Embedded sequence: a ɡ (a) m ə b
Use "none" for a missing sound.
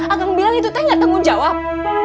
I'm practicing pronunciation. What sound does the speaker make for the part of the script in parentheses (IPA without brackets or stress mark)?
a